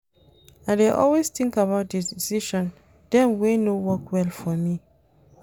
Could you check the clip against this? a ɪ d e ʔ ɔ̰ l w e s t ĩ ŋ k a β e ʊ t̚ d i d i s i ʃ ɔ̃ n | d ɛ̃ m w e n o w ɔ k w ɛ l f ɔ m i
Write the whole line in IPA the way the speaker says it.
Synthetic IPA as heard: a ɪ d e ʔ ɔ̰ l w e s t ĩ ŋ k a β a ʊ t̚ d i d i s i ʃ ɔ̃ n | d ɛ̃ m w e n o w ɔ k w ɛ l f ɔ m i